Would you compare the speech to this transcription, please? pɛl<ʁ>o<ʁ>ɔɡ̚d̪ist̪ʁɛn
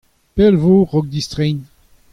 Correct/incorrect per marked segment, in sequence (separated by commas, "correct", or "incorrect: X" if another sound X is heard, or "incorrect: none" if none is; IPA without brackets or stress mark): incorrect: v, correct